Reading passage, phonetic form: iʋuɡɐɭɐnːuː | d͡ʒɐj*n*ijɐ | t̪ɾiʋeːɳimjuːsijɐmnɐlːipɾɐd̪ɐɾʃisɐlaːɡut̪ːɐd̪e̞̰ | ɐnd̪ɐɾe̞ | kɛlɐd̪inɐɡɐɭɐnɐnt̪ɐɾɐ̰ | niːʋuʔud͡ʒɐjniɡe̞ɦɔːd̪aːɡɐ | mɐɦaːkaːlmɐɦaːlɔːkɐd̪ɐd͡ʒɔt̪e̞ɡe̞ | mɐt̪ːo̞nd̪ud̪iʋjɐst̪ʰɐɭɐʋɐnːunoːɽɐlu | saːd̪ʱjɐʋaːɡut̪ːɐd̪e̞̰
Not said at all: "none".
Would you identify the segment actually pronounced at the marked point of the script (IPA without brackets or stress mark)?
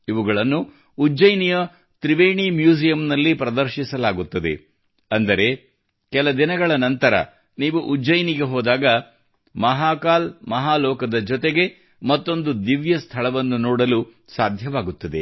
n